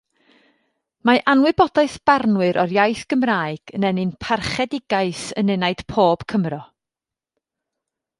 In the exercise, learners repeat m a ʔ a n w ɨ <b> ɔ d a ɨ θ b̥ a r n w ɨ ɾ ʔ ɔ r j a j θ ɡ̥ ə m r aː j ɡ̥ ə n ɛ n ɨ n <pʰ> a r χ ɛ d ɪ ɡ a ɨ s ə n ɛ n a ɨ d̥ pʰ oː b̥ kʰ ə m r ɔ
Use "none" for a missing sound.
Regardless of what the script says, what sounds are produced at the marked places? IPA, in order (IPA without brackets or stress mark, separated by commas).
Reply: b, pʰ